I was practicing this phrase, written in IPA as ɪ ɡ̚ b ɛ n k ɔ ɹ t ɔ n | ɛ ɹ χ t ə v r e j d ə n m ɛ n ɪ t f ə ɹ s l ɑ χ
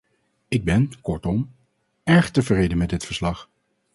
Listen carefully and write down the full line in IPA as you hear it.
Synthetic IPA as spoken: ɪ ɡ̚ b ɛ n k ɔ ɹ t ɔ m | ɛ ɹ χ t ə v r e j d ə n m ɛ d ɪ t f ə ɹ s l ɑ χ